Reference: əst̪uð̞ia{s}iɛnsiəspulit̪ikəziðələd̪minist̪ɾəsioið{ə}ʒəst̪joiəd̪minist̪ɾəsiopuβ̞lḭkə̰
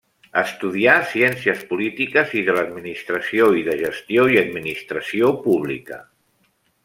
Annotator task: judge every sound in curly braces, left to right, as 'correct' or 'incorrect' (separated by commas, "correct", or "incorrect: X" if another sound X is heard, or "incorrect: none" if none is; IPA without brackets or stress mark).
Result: correct, correct